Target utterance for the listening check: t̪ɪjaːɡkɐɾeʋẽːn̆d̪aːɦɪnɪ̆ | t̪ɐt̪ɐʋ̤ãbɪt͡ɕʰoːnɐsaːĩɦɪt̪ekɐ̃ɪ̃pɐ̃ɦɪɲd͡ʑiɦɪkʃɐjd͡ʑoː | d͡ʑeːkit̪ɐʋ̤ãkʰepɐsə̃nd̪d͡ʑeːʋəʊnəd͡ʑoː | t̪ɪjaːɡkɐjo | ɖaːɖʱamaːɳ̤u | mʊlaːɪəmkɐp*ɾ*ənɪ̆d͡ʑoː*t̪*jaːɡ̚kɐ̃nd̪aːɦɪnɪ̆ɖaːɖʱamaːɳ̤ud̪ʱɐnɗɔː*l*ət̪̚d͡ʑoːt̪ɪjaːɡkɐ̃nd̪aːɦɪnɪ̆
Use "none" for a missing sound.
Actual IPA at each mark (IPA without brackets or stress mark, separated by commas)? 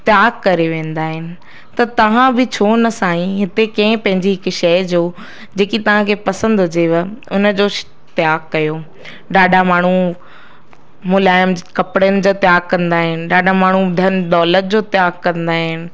ɽ, t̪, l